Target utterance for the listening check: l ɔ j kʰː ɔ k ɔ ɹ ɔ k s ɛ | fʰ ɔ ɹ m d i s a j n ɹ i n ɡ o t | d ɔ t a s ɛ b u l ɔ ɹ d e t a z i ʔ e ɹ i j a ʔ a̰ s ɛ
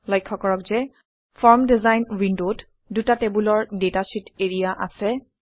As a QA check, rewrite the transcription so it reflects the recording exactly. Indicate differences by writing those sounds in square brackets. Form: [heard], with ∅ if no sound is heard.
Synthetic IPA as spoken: l ɔ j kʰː ɔ k ɔ ɹ ɔ k [z] ɛ | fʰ ɔ ɹ m d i [z] a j n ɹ i n [d] o t | d [u] t a [t] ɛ b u l ɔ ɹ d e t a [s] i [t] e ɹ i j a ʔ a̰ s ɛ